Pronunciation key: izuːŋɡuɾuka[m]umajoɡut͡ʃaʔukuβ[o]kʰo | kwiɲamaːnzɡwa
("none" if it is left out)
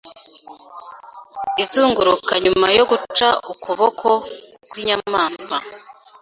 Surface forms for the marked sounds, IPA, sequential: ɲ, o

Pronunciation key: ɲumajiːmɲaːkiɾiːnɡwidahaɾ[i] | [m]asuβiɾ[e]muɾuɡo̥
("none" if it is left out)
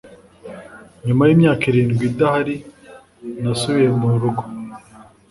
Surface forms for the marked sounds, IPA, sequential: i, n, e

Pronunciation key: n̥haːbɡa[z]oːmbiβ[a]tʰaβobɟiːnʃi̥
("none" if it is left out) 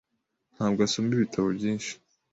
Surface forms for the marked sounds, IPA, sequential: s, i

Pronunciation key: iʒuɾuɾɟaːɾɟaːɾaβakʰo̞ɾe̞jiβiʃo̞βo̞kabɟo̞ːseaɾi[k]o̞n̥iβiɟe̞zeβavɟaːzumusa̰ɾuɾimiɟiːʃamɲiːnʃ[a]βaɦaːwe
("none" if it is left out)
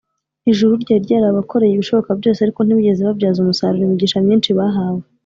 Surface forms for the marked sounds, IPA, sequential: k, i

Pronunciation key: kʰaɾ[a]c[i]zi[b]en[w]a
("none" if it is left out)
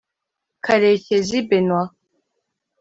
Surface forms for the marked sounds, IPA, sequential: e, e, b, w

